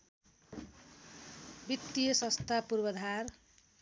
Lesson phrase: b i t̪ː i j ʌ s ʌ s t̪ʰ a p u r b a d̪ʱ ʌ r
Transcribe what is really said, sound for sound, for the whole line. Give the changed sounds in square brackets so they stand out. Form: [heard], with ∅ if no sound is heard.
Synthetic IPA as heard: b i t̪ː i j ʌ s ʌ s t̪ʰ a p u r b [ʌ] d̪ʱ [a] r